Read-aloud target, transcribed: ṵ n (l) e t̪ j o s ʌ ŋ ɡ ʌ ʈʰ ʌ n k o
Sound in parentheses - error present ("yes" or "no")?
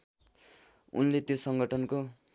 no